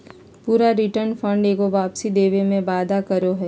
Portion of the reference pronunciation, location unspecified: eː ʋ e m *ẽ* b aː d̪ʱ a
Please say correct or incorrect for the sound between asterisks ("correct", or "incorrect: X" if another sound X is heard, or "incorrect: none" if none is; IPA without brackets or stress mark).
correct